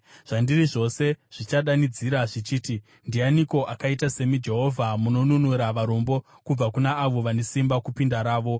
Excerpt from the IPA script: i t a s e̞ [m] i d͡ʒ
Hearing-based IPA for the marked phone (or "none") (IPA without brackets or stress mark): m